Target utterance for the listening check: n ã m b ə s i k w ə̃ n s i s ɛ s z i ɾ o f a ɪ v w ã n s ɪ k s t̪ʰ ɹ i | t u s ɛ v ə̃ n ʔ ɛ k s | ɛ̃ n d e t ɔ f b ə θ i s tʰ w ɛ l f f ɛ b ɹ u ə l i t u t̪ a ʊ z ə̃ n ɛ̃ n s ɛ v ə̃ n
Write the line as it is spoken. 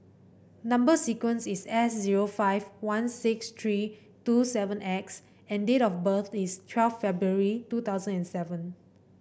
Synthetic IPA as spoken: n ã m b ə s i k w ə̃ n s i s ɛ s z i ɹ o f a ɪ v w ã n s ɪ k s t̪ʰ ɹ i | t u s ɛ v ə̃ n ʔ ɛ k s | ɛ̃ n d e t ɔ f b ə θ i s tʰ w ɛ l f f ɛ b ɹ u ə ɹ i t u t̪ a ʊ z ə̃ n ɛ̃ n s ɛ v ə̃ n

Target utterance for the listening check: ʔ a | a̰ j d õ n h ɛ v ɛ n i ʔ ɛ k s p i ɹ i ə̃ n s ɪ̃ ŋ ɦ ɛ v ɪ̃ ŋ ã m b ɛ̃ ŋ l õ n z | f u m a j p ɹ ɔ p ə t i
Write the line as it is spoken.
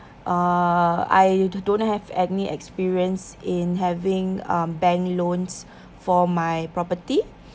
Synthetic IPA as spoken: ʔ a | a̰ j d õ n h ɛ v ɛ n i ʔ ɛ k s p i ɹ i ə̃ n s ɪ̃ n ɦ ɛ v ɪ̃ ŋ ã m b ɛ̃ ŋ l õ n s | f ɔ m a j p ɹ ɔ p ə t i

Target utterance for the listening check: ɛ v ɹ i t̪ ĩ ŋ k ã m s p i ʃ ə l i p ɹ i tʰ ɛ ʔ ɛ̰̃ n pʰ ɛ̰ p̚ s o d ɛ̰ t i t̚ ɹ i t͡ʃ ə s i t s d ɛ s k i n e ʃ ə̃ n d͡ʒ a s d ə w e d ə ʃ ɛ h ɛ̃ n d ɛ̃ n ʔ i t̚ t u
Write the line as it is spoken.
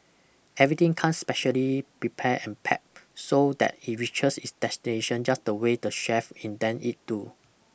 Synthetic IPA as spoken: ɛ v ɹ i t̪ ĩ ŋ kʰ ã n s p ɛ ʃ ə l i p ɹ i pʰ ɛ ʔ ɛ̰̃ n pʰ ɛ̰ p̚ s o d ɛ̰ t i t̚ ɹ i t͡ʃ ə s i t s d ɛ s t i n e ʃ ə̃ n d͡ʒ a s d ə w e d ə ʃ ɛ f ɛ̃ n d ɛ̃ n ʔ i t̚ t u

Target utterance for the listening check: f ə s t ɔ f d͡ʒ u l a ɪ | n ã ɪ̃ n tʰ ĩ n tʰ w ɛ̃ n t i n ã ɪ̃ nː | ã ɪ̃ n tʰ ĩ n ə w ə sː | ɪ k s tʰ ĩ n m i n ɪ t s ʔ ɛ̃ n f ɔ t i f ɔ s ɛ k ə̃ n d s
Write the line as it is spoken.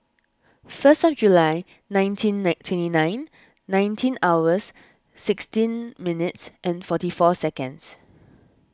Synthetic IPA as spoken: f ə s t ɔ f d͡ʒ u l a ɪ | n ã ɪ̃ n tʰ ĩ n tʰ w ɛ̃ n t i n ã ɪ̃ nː | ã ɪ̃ n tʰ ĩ n a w ə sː | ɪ k s t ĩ n m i n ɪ t s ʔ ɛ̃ n f ɔ t i f ɔ s ɛ k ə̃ n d s

